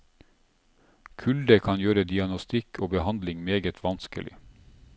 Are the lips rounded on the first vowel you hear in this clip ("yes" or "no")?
yes